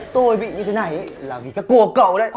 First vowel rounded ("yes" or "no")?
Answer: yes